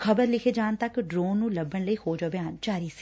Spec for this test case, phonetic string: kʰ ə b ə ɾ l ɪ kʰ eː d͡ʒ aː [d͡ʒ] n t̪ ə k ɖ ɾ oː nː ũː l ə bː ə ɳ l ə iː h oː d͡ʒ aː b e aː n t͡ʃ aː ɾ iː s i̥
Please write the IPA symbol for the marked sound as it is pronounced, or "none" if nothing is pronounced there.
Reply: none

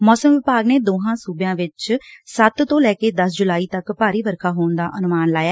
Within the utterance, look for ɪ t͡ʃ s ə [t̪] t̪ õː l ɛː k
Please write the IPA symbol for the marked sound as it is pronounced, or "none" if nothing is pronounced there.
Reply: t̪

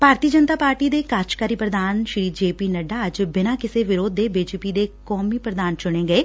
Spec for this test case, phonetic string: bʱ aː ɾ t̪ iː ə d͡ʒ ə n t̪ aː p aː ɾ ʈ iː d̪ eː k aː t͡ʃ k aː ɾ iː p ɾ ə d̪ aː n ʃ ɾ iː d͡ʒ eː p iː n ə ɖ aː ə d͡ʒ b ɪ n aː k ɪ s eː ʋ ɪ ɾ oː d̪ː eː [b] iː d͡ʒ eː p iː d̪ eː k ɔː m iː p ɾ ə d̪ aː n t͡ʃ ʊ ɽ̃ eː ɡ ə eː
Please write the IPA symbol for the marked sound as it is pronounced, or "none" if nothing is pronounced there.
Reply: b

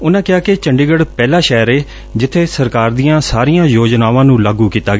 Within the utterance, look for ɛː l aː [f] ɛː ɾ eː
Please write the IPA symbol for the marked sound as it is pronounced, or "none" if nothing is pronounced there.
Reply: ʃ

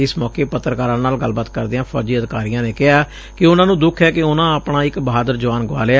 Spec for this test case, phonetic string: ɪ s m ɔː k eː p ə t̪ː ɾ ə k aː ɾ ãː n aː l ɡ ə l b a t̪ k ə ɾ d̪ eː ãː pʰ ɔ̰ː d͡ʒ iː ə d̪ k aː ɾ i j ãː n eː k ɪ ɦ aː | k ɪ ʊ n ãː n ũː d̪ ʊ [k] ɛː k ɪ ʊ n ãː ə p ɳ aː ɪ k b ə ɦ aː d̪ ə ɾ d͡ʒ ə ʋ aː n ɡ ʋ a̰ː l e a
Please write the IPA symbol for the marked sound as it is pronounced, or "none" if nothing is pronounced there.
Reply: kʰ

